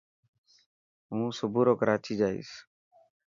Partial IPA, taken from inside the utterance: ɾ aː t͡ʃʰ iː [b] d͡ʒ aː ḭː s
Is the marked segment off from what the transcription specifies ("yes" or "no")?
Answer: yes